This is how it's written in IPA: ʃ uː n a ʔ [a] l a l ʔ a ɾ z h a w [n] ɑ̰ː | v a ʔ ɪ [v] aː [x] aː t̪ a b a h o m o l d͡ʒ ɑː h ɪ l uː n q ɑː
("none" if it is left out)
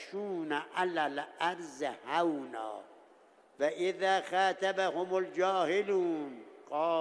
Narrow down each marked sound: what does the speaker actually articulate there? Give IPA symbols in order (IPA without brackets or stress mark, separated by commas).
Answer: a, n, ð, x